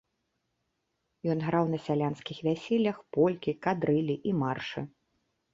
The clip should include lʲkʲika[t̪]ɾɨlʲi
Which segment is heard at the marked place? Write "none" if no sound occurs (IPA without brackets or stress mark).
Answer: d̪